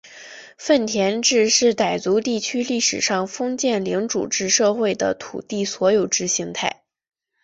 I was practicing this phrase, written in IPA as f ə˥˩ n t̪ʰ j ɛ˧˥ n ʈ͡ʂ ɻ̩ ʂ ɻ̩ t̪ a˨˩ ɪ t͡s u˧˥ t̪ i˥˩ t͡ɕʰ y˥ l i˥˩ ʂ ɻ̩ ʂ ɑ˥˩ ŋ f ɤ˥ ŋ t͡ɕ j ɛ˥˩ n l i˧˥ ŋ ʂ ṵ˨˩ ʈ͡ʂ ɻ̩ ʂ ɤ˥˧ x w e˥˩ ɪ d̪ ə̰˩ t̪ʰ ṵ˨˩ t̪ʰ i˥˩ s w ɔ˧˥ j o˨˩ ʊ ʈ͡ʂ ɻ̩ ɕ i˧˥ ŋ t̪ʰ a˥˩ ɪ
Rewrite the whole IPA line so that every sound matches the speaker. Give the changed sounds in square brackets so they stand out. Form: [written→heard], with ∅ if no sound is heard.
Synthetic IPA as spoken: f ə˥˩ n t̪ʰ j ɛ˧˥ n ʈ͡ʂ ɻ̩ ʂ ɻ̩ t̪ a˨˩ ɪ t͡s u˧˥ t̪ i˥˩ t͡ɕʰ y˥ l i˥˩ ʂ ɻ̩ ʂ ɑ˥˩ ŋ f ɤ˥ ŋ t͡ɕ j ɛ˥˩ n l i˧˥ ŋ [ʂ→ʈ͡ʂ] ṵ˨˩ ʈ͡ʂ ɻ̩ ʂ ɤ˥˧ x w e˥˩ ɪ d̪ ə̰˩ t̪ʰ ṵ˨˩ [t̪ʰ→t̪] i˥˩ s w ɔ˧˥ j o˨˩ ʊ ʈ͡ʂ ɻ̩ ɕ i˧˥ ŋ t̪ʰ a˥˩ ɪ